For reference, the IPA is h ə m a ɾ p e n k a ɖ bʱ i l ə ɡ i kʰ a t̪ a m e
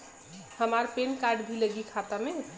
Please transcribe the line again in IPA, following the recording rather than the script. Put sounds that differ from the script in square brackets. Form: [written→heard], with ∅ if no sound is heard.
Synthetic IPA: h ə m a ɾ p e n k a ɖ bʱ i l ə ɡ i kʰ a t̪ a m e

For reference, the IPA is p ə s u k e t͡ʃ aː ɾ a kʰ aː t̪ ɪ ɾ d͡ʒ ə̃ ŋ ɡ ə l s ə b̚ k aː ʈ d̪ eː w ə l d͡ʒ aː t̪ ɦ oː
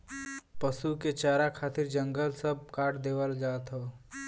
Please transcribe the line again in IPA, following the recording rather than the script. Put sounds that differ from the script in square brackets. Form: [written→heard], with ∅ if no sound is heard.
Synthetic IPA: p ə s u k e t͡ʃ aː ɾ a kʰ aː t̪ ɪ ɾ d͡ʒ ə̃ ŋ ɡ ə l s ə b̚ k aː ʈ d̪ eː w ə l d͡ʒ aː t̪ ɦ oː

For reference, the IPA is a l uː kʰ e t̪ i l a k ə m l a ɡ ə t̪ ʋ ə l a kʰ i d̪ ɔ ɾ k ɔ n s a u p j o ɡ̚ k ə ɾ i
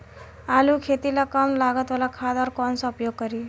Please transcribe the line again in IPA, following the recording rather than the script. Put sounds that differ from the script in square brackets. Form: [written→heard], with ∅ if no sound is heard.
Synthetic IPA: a l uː kʰ e t̪ i l a k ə m l a ɡ ə t̪ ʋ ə l a kʰ [i→a] d̪ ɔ ɾ k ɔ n s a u p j o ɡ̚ k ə ɾ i

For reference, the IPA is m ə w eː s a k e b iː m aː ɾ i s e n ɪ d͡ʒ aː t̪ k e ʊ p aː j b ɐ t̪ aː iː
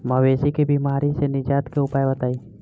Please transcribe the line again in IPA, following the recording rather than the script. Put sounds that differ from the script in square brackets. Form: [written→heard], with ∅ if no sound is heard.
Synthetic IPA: m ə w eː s [a→i] k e b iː m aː ɾ i s e n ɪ d͡ʒ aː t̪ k e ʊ p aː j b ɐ t̪ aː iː

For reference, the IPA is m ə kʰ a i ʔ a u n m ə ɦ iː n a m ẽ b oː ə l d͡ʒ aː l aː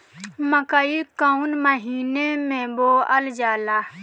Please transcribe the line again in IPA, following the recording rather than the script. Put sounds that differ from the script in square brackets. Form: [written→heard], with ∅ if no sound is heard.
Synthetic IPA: m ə [kʰ→k] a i [ʔ→k] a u n m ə ɦ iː n [a→e] m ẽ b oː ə l d͡ʒ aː l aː

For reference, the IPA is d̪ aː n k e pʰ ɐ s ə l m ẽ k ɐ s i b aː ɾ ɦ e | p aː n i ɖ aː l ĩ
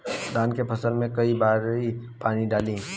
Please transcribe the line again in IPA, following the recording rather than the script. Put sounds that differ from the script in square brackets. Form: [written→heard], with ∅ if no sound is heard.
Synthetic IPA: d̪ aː n k e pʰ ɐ s ə l m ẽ k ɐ [s→∅] i b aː ɾ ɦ [e→i] | p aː n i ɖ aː l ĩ

